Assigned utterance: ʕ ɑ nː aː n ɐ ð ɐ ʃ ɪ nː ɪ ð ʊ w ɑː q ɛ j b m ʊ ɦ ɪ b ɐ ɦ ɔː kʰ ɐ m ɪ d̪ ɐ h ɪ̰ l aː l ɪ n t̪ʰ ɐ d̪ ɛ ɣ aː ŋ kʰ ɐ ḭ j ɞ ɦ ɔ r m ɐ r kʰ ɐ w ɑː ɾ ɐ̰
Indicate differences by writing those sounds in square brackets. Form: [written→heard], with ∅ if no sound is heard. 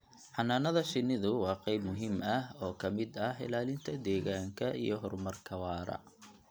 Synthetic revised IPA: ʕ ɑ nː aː n ɐ ð ɐ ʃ ɪ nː ɪ ð ʊ w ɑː q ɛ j b m ʊ ɦ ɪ [b→m] ɐ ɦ ɔː kʰ ɐ m ɪ d̪ ɐ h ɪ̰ l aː l ɪ n t̪ʰ ɐ d̪ [ɛ→ɛː] ɣ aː ŋ kʰ ɐ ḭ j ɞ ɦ ɔ r m ɐ r kʰ ɐ w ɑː ɾ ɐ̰